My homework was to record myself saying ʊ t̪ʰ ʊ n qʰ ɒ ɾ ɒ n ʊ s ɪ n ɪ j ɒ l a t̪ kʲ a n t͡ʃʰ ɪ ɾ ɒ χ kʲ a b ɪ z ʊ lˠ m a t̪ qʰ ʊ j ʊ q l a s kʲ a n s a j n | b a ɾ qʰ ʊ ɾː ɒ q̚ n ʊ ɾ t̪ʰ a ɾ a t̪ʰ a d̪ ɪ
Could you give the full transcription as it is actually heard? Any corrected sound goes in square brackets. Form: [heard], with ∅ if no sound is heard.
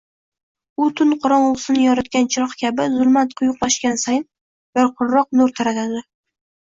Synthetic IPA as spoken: ʊ t̪ʰ ʊ n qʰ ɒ ɾ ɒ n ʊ s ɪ n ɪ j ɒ [ɾ] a t̪ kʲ a n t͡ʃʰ ɪ ɾ ɒ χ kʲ a b ɪ z ʊ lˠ m a t̪ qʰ ʊ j ʊ q l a [ʃ] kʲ a n s a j n | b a ɾ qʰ ʊ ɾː ɒ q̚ n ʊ ɾ t̪ʰ a ɾ a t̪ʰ a d̪ ɪ

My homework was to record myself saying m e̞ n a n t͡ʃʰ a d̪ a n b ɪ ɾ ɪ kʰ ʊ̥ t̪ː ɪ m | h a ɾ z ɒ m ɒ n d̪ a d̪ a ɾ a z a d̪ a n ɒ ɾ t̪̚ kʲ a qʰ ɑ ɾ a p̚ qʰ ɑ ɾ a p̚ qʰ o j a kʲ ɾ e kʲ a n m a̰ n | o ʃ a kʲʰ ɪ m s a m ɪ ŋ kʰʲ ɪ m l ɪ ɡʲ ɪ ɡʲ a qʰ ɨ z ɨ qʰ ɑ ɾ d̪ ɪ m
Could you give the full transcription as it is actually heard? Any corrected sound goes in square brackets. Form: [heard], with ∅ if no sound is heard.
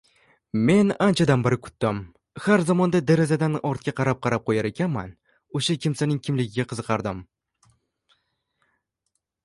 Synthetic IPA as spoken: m e̞ n a n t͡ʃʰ a d̪ a n b ɪ ɾ ɪ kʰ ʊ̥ t̪ː ɪ m | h a ɾ z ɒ m ɒ n d̪ a d̪ a ɾ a z a d̪ a n ɒ ɾ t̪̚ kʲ a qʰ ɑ ɾ a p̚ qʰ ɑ ɾ a p̚ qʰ o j a [∅] ɾ e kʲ a n m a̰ n | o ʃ a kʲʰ ɪ m s a [n] ɪ ŋ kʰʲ ɪ m l ɪ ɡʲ ɪ ɡʲ a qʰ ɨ z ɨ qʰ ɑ ɾ d̪ ɪ m

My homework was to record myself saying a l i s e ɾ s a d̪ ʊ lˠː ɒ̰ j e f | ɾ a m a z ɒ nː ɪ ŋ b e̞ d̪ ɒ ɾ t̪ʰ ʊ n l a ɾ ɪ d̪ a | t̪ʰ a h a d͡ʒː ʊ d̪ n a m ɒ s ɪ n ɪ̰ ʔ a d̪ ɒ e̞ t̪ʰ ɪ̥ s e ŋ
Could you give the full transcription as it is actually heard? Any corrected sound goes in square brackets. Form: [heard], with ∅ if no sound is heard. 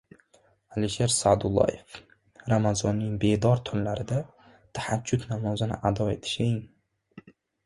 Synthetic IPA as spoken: a l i [ʃ] e ɾ s a d̪ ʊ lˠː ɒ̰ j e f | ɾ a m a z ɒ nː ɪ ŋ b e̞ d̪ ɒ ɾ t̪ʰ ʊ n l a ɾ ɪ d̪ a | t̪ʰ a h a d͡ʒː ʊ [t̪] n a m ɒ [z] ɪ n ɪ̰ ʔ a d̪ ɒ e̞ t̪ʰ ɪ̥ [ʃ] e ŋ

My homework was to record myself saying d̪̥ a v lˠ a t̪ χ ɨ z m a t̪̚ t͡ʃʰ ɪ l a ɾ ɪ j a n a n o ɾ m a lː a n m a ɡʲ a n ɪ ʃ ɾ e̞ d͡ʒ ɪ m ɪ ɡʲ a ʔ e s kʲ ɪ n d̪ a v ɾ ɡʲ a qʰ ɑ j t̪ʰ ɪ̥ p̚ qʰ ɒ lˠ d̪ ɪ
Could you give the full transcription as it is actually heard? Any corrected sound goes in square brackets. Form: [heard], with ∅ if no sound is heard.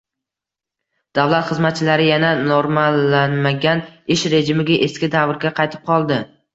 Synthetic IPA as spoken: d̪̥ a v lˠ a t̪ χ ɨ z m a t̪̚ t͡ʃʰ ɪ l a ɾ ɪ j a n a n o ɾ m a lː a n m a ɡʲ a n ɪ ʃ ɾ e̞ d͡ʒ ɪ m ɪ ɡʲ a ʔ e s kʲ ɪ [∅] d̪ a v ɾ ɡʲ a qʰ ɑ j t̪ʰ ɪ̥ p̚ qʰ ɒ lˠ d̪ ɪ

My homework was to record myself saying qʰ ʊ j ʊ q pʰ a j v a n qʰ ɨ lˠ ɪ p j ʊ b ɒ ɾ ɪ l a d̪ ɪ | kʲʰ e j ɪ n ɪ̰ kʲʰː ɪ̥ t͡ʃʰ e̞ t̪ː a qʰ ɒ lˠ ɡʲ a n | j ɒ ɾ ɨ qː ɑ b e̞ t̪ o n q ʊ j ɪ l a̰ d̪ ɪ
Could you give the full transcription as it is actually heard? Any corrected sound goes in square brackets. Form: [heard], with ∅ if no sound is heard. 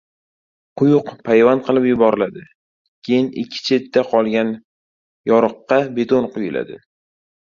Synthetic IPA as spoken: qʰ ʊ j ʊ q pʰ a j v a n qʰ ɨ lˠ ɪ p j ʊ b ɒ ɾ ɪ l a d̪ ɪ | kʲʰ e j ɪ n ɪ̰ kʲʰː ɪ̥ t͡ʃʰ e̞ t̪ː a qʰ ɒ lˠ ɡʲ a n | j ɒ ɾ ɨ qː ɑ b e̞ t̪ o n q ʊ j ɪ l a̰ d̪ ɪ

